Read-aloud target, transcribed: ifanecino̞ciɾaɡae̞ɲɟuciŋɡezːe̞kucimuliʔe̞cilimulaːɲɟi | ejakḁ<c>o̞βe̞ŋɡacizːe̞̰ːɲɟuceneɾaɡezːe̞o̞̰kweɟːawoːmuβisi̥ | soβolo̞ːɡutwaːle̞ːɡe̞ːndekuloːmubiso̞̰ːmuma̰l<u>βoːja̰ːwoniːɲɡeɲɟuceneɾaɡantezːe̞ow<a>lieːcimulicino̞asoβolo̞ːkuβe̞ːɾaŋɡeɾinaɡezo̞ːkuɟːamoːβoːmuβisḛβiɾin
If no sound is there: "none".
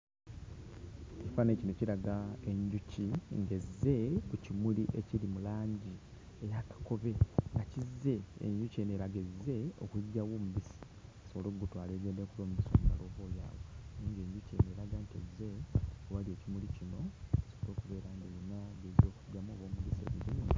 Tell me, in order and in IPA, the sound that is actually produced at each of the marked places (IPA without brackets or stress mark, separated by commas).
k, o, a